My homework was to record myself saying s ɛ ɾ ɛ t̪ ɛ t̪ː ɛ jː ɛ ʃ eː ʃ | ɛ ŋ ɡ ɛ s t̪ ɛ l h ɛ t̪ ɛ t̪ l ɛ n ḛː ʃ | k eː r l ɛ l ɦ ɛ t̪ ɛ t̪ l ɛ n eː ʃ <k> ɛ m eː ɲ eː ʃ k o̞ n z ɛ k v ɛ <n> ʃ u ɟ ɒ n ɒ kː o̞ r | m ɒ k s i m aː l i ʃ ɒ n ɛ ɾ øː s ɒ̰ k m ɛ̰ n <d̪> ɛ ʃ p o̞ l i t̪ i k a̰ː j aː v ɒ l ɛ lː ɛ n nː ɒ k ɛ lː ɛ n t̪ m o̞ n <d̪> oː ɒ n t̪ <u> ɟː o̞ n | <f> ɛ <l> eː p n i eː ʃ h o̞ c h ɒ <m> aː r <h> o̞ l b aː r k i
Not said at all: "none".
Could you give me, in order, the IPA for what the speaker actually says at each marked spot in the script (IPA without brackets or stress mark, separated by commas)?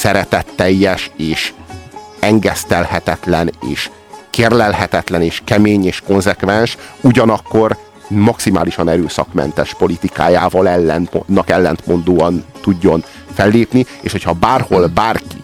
k, n, t̪, d̪, u, f, lː, b, h